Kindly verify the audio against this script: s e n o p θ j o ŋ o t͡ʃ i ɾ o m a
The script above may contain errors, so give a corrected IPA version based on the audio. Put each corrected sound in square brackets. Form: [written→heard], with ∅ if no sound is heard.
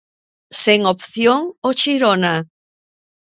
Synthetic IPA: s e [n→ŋ] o p θ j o ŋ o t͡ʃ i ɾ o [m→n] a